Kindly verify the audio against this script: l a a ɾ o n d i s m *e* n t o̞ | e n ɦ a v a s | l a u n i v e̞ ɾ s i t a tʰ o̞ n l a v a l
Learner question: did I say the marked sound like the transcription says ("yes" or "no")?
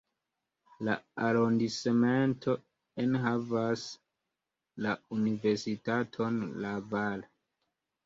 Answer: yes